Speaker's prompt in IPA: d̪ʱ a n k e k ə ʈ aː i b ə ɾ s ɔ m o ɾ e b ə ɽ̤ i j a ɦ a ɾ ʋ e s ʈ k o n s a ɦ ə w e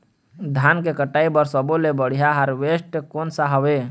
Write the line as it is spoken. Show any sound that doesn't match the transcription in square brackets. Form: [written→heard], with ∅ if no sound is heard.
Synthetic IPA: d̪ʱ a n k e k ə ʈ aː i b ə ɾ s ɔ [m→b] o [ɾ→l] e b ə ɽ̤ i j a ɦ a ɾ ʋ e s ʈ k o n s a ɦ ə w e